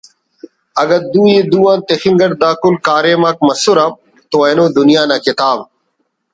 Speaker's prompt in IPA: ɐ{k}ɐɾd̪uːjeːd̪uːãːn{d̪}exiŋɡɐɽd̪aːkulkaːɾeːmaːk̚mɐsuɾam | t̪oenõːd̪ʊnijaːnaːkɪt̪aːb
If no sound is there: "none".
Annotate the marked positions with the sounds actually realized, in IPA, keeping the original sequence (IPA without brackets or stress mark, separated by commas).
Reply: ɡ, t̪